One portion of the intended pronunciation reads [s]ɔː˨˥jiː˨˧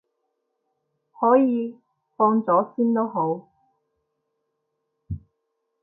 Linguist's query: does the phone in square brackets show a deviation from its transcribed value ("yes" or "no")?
yes